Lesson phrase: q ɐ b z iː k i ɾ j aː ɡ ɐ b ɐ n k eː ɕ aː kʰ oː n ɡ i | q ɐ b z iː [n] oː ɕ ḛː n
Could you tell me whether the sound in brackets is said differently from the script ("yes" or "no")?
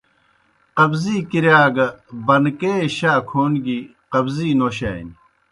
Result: no